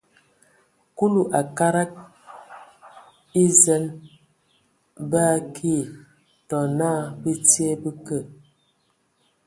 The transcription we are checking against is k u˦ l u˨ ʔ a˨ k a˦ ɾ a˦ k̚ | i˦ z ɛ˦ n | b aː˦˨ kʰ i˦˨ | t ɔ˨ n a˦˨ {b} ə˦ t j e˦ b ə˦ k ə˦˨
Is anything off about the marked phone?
no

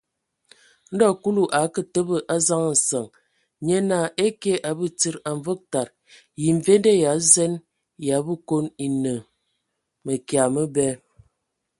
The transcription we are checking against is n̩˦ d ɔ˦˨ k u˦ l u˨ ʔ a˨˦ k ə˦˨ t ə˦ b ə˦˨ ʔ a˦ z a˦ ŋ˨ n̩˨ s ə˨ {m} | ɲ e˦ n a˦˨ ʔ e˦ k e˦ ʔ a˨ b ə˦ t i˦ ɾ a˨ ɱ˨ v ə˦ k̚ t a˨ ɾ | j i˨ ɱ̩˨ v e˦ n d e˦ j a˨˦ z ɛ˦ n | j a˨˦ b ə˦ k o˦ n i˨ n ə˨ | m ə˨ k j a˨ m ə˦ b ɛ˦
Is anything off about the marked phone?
yes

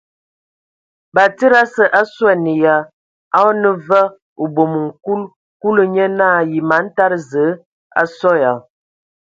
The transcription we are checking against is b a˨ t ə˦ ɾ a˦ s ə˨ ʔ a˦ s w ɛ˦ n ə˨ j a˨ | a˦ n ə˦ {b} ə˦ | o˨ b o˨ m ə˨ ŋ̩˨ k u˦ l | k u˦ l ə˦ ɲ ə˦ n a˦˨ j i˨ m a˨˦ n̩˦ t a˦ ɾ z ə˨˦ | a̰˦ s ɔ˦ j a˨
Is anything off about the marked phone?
yes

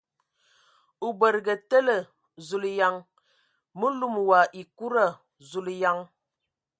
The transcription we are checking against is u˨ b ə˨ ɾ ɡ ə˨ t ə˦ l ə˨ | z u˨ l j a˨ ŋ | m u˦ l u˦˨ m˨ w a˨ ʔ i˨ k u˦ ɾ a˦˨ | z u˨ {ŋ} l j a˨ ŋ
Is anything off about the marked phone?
yes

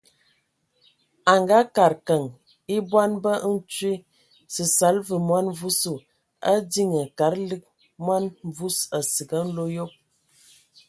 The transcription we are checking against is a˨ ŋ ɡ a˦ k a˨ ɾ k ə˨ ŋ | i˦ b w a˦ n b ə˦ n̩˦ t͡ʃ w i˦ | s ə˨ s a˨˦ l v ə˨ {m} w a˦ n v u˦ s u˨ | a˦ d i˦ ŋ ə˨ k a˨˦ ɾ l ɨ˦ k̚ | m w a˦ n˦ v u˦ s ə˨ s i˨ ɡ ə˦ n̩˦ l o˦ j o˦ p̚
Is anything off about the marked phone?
no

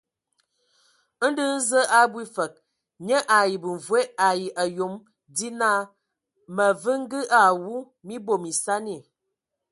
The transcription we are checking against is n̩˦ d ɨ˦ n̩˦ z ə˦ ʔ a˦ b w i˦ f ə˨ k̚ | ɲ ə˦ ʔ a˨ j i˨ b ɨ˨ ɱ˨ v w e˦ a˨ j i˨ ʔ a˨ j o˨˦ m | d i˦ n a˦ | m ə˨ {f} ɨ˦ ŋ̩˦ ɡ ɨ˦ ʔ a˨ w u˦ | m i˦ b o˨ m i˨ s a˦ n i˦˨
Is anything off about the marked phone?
yes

